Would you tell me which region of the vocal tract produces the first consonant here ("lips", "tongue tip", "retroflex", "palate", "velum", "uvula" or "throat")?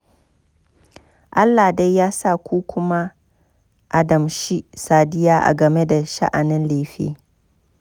throat